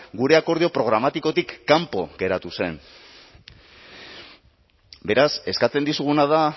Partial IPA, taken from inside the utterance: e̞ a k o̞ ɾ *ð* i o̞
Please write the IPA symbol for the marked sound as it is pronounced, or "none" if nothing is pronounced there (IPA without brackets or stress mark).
ð